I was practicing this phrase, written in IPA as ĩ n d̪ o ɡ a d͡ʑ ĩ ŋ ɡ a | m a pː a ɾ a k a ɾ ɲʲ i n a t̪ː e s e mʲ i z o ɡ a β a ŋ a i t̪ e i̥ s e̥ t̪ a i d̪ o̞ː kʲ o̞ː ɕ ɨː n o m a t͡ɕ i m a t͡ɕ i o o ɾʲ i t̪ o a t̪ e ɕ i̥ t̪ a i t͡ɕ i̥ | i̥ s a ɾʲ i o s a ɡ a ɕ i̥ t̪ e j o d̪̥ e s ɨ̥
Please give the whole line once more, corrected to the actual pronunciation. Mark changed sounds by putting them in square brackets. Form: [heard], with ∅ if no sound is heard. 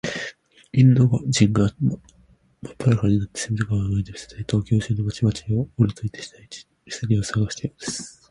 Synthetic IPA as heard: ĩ n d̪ o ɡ a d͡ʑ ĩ ŋ ɡ a | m a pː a ɾ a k a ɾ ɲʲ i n a t̪ː e s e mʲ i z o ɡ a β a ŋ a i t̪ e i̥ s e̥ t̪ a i [t̪] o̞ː kʲ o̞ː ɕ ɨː n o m a t͡ɕ i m a t͡ɕ i o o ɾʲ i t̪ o [i] t̪ e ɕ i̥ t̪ a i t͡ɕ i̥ | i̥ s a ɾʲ i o s a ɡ a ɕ i̥ t̪ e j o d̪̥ e s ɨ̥